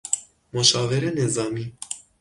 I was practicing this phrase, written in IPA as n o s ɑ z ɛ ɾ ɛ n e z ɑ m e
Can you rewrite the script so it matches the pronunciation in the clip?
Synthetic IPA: m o ʃ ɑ v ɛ ɾ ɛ n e z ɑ m i